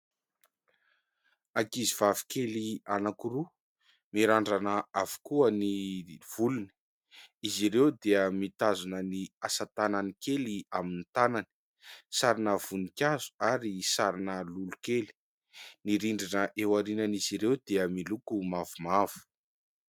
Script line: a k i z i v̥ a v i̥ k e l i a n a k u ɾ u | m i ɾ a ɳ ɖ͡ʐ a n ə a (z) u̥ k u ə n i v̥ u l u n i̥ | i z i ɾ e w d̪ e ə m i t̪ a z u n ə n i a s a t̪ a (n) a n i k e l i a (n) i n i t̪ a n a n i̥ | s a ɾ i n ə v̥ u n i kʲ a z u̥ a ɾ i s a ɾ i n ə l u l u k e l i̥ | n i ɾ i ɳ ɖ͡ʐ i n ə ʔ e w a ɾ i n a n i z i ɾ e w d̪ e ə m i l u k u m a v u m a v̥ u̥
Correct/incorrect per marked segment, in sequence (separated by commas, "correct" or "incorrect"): incorrect, correct, incorrect